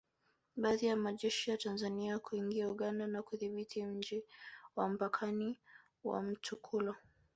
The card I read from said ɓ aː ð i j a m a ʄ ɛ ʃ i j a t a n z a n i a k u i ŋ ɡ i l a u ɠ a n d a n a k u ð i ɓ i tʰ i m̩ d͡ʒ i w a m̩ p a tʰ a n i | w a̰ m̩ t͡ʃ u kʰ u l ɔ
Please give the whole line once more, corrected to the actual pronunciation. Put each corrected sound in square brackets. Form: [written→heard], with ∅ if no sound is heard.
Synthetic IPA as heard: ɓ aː ð i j a m a ʄ ɛ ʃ i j a t a n z a n i a k u i ŋ ɡ i [l→∅] a u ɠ a n d a n a k u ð i ɓ i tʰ i m̩ d͡ʒ i w a m̩ p a [tʰ→kʰ] a n i | w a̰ m̩ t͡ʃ u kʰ u l ɔ